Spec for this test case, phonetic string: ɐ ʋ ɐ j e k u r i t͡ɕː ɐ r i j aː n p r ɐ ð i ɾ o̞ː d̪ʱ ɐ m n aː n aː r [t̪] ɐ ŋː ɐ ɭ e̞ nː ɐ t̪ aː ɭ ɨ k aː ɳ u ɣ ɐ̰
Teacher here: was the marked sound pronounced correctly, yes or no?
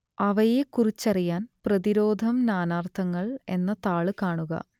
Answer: no